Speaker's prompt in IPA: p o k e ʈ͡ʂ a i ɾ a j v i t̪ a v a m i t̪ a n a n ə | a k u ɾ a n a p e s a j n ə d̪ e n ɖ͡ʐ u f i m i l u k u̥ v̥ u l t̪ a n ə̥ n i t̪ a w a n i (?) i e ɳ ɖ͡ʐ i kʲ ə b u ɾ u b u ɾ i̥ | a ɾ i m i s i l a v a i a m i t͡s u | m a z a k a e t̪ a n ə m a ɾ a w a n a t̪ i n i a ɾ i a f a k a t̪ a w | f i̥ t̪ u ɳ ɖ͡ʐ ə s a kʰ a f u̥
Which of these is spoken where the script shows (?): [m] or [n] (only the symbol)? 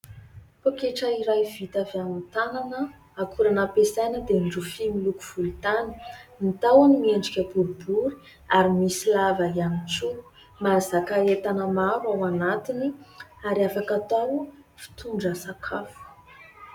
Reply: m